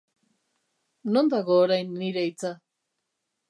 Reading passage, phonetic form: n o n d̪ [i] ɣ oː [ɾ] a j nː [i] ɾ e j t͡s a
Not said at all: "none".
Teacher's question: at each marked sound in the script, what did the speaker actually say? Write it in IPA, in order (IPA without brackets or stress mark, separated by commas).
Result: a, ɾ, i